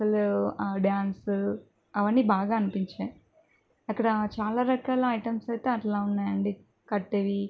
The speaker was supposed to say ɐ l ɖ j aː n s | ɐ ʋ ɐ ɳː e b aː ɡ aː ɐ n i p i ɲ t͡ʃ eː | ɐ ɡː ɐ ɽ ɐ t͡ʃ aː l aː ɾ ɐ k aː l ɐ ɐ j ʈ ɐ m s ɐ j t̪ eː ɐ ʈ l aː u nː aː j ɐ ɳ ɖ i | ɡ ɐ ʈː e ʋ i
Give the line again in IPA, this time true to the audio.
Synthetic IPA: ɐ l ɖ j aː n s | ɐ ʋ ɐ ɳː i b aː ɡ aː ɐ n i p i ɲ t͡ʃ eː | ɐ kː ɐ ɽ ɐ t͡ʃ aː l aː ɾ ɐ k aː l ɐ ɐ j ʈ ɐ m s ɐ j t̪ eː ɐ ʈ l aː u nː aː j ɐ ɳ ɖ i | k ɐ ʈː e ʋ i